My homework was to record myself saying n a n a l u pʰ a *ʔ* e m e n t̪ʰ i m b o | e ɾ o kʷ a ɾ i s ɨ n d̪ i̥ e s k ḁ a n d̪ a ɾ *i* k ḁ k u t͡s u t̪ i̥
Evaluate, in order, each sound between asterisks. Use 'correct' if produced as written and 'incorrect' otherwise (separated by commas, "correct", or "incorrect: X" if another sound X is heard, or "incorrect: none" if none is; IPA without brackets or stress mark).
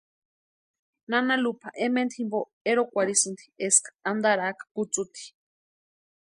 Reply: correct, incorrect: a